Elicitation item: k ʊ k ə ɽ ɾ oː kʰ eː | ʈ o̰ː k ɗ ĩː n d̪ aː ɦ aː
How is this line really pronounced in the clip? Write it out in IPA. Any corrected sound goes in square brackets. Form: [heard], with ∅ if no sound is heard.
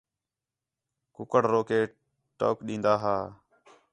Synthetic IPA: k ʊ k ə ɽ ɾ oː [k] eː | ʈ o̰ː k ɗ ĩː n d̪ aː ɦ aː